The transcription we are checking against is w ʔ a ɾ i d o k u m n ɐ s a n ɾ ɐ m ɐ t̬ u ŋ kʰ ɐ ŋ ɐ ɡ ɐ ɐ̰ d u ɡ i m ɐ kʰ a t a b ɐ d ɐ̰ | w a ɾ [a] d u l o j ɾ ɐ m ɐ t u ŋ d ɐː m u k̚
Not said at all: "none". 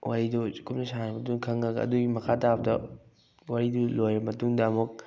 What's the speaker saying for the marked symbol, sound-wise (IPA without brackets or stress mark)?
i